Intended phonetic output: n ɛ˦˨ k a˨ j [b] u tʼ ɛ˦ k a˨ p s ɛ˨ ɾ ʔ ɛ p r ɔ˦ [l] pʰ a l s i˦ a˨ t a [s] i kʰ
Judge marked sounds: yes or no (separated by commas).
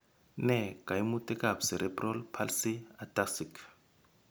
no, yes, yes